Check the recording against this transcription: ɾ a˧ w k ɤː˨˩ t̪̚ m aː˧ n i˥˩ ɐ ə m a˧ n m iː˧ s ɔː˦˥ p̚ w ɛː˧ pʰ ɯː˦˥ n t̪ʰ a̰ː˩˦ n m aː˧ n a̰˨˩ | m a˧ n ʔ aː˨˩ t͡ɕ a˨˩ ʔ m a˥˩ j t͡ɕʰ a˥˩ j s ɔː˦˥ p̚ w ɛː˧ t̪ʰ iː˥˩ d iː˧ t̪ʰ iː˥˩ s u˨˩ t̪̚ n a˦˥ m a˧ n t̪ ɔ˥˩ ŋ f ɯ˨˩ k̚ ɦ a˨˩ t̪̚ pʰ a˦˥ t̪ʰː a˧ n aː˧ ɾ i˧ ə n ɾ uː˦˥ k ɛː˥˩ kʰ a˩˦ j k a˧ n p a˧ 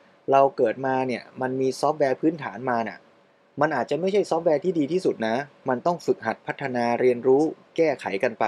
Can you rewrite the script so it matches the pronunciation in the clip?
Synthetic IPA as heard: ɾ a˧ w k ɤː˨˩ t̪̚ m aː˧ n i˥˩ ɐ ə m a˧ n m iː˧ s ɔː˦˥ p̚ w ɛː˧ pʰ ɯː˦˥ n t̪ʰ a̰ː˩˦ n m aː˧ n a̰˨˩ | m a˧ n ʔ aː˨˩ t͡ɕ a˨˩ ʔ m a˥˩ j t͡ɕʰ a˥˩ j s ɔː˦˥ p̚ w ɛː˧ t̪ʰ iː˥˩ d iː˧ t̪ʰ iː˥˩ s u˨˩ t̪̚ n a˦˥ m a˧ n t̪ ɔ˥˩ ŋ f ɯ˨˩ k̚ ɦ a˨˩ t̪̚ pʰ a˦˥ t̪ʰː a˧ n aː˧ ɾ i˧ ə n ɾ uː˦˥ k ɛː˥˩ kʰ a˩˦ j k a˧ n p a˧